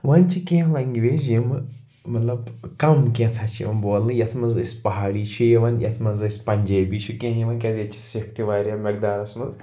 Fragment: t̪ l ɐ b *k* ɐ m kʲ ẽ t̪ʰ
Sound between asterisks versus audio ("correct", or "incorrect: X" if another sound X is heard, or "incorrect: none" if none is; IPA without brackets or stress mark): correct